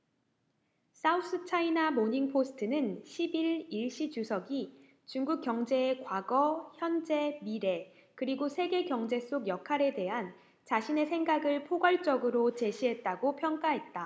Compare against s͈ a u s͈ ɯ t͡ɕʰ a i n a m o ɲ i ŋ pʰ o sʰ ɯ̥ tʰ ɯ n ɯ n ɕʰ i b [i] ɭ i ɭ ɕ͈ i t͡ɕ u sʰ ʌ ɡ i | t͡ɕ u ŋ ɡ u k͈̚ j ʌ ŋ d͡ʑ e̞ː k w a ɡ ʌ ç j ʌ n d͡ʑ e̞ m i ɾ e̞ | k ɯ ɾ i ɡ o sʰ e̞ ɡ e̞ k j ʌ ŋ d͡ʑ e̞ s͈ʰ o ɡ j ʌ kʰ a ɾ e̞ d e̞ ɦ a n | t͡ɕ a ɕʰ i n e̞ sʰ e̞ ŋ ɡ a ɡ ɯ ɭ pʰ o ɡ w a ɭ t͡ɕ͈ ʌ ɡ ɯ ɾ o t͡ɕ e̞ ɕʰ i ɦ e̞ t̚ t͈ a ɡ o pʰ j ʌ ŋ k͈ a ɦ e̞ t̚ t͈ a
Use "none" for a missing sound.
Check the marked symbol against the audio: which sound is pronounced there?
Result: i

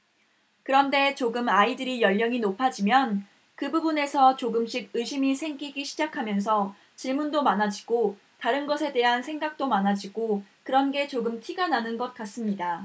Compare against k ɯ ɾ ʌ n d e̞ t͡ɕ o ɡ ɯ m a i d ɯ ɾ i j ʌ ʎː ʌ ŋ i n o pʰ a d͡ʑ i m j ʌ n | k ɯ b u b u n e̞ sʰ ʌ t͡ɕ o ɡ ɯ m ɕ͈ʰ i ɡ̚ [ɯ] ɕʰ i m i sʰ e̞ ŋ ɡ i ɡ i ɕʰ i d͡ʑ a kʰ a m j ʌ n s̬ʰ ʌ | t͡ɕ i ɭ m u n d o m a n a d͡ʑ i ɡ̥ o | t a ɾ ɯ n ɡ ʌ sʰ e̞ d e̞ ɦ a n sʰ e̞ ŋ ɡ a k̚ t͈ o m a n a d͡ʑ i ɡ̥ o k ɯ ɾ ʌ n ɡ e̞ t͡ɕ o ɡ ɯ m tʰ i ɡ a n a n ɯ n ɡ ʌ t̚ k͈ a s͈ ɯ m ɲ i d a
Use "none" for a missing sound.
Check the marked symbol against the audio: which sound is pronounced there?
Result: ɯ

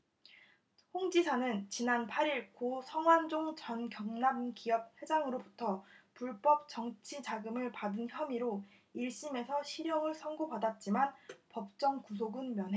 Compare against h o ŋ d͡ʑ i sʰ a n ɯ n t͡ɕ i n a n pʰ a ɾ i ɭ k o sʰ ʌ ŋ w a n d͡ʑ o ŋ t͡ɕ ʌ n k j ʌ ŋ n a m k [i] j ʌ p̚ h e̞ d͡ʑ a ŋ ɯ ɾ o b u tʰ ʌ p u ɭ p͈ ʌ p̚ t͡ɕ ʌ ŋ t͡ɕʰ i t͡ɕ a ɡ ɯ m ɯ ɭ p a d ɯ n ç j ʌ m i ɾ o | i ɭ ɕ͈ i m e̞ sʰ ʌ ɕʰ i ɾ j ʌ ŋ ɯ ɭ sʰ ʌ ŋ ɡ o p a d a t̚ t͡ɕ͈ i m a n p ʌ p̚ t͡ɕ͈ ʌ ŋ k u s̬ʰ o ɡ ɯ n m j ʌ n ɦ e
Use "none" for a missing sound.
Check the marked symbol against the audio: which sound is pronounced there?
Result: i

